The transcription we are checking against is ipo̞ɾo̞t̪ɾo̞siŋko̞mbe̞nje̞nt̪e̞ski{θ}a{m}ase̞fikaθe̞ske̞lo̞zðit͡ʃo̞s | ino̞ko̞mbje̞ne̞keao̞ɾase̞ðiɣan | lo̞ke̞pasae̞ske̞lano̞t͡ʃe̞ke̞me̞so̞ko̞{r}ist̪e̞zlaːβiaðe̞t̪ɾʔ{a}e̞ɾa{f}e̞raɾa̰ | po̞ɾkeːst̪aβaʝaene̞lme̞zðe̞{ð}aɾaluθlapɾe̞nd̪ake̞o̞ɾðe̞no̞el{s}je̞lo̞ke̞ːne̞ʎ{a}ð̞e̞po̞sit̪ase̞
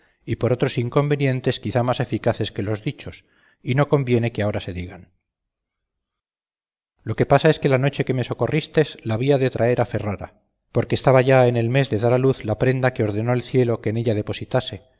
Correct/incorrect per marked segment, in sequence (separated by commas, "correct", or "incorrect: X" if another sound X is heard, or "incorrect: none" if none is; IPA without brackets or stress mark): correct, correct, correct, correct, correct, correct, incorrect: θ, correct